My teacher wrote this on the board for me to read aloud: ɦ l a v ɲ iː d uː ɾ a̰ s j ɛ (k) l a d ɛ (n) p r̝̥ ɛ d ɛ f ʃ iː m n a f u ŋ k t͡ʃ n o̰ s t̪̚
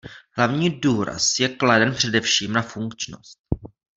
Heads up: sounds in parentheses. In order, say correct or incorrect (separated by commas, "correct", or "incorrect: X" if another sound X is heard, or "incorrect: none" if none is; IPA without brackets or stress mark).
correct, correct